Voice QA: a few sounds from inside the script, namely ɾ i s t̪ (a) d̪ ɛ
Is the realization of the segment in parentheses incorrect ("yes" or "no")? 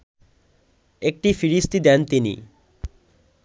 yes